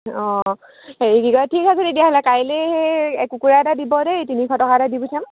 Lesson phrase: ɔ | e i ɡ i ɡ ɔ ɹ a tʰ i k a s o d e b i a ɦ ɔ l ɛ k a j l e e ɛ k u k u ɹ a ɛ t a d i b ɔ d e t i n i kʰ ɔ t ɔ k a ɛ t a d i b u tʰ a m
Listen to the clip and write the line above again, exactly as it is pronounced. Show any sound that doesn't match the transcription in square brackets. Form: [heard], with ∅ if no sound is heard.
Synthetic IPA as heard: ɔ | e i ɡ i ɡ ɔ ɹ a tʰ i k a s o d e [d] i a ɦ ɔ l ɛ k a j l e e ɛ k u k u ɹ a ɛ t a d i b ɔ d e t i n i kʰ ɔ t ɔ k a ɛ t a d i b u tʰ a m

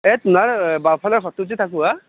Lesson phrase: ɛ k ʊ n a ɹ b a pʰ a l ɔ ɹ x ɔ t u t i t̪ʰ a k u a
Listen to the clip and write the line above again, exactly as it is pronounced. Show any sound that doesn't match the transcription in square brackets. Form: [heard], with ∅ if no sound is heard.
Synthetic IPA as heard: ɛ [t] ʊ n a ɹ b a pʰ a l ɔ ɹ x ɔ t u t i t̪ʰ a k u a

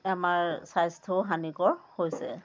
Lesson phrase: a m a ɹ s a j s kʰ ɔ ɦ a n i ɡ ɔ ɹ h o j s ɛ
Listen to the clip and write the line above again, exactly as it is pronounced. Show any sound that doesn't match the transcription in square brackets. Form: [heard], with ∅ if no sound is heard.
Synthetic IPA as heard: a m a ɹ s a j s [tʰ] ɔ ɦ a n i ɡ ɔ ɹ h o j s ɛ

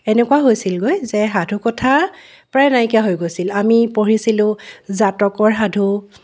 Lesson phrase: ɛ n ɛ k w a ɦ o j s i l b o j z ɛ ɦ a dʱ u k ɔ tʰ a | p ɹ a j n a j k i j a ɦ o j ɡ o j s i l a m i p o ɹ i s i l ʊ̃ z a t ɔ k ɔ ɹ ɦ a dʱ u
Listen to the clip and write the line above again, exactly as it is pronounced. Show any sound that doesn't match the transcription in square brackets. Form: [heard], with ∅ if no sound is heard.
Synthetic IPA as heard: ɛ n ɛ k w a ɦ o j s i l [ɡ] o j z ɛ ɦ a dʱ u k ɔ tʰ a | p ɹ a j n a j k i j a ɦ o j ɡ o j s i l a m i p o ɹ i s i l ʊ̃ z a t ɔ k ɔ ɹ ɦ a dʱ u

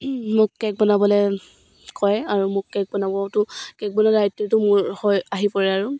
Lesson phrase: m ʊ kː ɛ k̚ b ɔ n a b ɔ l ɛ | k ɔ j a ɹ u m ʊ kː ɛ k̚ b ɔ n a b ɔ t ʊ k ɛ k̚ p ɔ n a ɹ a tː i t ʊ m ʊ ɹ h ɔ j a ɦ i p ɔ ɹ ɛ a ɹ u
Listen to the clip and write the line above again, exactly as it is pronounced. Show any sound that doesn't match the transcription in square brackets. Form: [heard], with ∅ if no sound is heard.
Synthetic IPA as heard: m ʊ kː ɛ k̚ b ɔ n a b ɔ l ɛ | k ɔ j a ɹ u m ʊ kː ɛ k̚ b ɔ n a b ɔ t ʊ k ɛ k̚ [b] ɔ n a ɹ a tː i t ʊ m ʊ ɹ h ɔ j a ɦ i p ɔ ɹ ɛ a ɹ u

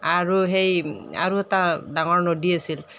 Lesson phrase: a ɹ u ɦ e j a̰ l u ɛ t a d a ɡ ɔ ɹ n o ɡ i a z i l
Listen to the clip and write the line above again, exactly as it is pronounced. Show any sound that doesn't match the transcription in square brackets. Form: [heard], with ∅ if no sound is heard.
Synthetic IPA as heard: a ɹ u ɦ e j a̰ [ɹ] u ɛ t a d a [ŋ] ɔ ɹ n o [d] i a [s] i l

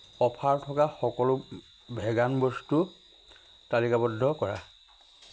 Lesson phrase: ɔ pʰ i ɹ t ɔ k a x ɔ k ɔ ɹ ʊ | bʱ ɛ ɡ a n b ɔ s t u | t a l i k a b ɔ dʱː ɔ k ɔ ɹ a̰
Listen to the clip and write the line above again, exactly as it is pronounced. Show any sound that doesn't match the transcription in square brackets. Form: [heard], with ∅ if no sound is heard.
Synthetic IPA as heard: ɔ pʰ [a] ɹ [tʰ] ɔ k a x ɔ k ɔ [l] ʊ | bʱ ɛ ɡ a n b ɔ s t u | t a l i k a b ɔ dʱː ɔ k ɔ ɹ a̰

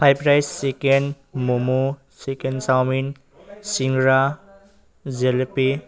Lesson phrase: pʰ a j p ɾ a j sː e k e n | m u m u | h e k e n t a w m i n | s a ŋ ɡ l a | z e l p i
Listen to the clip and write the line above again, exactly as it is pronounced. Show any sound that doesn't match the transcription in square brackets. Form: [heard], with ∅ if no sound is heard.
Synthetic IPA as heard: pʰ a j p ɾ a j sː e k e n | m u m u | [s] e k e n [s] a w m i n | s [i] ŋ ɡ [ɾ] a | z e l p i

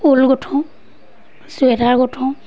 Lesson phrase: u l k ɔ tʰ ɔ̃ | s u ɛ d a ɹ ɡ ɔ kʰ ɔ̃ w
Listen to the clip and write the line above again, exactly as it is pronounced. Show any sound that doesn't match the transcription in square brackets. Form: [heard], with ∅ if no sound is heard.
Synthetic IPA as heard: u l [ɡ] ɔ tʰ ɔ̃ | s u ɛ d a ɹ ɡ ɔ [tʰ] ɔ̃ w

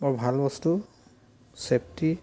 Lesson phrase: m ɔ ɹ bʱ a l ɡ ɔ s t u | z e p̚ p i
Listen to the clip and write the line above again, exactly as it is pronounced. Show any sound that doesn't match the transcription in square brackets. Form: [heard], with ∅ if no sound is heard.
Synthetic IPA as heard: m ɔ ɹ bʱ a l [b] ɔ s t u | [s] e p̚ [t] i

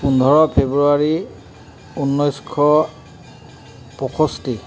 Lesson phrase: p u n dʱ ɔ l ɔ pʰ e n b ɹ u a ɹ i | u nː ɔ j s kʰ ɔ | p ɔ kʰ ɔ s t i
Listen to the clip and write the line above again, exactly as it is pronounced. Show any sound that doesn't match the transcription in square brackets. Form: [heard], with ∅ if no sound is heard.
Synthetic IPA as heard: p u n dʱ ɔ [ɹ] ɔ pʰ e [∅] b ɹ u a ɹ i | u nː ɔ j s kʰ ɔ | p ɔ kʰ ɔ s t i

